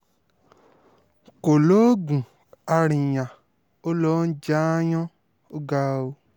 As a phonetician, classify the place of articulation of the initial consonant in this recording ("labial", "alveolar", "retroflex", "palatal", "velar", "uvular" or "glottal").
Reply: velar